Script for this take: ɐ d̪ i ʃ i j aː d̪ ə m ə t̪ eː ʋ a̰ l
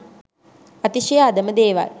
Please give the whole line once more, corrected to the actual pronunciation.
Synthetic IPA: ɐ t̪ i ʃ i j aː d̪ ə m ə d̪ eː ʋ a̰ l